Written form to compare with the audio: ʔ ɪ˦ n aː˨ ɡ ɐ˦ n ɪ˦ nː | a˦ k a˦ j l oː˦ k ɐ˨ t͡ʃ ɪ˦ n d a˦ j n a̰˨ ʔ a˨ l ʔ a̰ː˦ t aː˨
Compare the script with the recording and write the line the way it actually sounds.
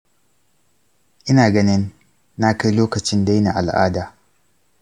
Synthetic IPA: ʔ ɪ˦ n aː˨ ɡ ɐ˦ n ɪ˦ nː | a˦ k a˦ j l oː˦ k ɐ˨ t͡ʃ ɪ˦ n d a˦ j n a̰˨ ʔ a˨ l ʔ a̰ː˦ d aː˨